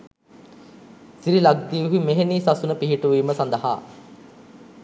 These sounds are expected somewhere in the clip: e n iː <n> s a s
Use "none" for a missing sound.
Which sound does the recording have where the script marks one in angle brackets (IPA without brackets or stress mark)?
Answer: none